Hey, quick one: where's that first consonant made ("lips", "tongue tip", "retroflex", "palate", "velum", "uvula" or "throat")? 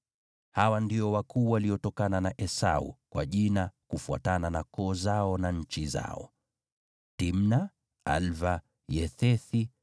throat